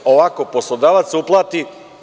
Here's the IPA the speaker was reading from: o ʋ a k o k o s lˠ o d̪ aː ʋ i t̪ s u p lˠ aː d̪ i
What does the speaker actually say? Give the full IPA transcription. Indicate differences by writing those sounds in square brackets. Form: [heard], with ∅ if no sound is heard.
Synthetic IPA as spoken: o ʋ a k o [p] o s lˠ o d̪ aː ʋ [a] t̪ s u p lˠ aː [t̪] i